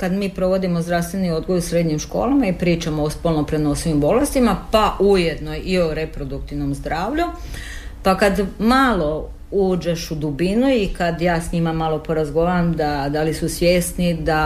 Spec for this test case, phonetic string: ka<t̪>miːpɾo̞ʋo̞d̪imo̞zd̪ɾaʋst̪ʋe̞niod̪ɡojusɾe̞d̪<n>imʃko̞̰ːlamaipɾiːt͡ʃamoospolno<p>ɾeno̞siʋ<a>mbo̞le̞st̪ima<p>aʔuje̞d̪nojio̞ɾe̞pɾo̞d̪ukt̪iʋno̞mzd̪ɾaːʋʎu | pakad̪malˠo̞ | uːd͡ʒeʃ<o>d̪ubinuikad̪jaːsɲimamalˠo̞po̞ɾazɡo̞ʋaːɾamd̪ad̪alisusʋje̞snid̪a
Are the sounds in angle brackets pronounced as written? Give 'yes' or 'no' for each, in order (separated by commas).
no, no, yes, no, yes, no